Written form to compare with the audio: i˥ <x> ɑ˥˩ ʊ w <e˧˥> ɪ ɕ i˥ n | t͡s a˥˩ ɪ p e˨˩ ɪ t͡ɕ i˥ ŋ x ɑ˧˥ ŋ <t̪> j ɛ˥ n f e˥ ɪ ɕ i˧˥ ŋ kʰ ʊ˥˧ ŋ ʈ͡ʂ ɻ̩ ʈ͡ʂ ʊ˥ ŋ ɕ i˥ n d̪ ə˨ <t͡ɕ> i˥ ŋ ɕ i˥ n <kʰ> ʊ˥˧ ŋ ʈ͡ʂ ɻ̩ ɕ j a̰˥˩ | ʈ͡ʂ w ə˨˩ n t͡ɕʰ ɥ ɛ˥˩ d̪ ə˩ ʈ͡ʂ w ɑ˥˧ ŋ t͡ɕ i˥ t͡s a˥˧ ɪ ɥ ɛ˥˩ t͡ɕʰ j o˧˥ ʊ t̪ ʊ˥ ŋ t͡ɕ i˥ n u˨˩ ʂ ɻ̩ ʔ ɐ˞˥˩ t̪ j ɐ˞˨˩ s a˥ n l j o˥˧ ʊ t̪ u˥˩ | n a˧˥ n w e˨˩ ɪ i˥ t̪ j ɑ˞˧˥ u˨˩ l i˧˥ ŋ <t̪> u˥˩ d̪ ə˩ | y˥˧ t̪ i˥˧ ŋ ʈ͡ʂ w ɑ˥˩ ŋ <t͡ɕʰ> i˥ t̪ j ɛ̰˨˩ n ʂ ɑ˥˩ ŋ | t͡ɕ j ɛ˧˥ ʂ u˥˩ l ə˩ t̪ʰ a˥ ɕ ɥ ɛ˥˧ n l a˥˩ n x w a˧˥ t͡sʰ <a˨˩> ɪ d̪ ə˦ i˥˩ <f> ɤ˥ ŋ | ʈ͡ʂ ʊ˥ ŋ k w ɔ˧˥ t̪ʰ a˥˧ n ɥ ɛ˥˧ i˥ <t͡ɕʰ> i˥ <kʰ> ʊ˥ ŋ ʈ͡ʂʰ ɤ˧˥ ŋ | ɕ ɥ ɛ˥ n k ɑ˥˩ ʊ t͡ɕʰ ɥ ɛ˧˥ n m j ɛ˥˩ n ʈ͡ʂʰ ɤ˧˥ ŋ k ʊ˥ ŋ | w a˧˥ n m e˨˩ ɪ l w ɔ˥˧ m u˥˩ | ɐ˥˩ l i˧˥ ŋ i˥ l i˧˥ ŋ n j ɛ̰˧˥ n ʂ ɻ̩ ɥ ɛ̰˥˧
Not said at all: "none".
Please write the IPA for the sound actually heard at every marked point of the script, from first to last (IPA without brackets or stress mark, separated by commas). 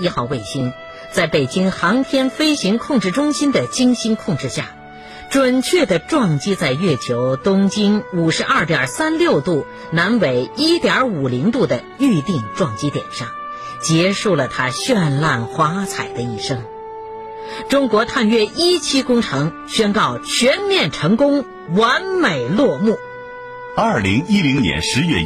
x, e˥˩, t̪ʰ, t͡ɕ, kʰ, t̪, t͡ɕ, a˨˩, ʂ, t͡ɕʰ, k